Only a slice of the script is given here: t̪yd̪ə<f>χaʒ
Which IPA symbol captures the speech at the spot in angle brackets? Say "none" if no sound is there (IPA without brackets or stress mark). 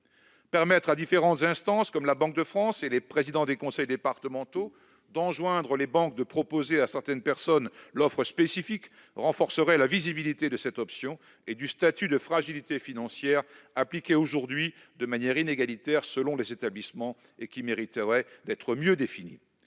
f